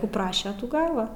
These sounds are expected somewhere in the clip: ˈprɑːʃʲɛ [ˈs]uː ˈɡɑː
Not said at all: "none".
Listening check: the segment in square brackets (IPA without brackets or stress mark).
t